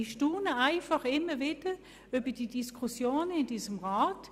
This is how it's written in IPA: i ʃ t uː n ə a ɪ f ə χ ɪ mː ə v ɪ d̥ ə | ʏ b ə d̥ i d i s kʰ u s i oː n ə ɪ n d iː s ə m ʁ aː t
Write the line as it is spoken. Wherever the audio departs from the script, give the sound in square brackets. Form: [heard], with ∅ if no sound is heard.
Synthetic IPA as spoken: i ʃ t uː n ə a ɪ f [ɑ] χ ɪ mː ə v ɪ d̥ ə | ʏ b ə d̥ i d i s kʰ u s [j] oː n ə ɪ n d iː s ə m ʁ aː t